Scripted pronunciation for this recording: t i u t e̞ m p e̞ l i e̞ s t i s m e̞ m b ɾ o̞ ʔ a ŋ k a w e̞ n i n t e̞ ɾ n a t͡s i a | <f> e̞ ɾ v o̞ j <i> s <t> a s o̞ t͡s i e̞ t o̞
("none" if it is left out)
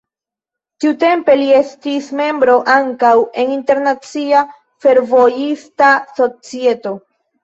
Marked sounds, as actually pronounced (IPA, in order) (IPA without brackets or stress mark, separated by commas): f, i, t